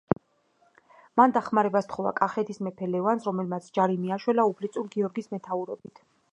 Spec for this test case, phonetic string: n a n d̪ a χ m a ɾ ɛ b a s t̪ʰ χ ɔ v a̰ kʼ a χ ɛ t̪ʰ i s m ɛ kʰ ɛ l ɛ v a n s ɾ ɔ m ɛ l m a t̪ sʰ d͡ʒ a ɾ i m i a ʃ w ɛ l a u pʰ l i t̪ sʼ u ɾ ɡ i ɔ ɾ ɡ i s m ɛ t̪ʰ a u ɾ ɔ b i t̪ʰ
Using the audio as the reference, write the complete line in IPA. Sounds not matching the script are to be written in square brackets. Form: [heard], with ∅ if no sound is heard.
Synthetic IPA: [m] a n d̪ a χ m a ɾ ɛ b a s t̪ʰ χ ɔ v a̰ kʼ a χ ɛ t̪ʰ i s m ɛ [pʰ] ɛ l ɛ v a n s ɾ ɔ m ɛ l m a t̪ sʰ d͡ʒ a ɾ i m i a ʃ w ɛ l a u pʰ l i t̪ sʼ u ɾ ɡ i ɔ ɾ ɡ i s m ɛ t̪ʰ a u ɾ ɔ b i t̪ʰ